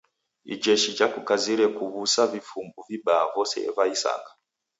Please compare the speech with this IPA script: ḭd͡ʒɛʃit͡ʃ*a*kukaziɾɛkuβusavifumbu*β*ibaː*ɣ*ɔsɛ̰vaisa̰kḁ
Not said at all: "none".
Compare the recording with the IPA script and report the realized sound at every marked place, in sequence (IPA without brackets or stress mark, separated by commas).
a, v, v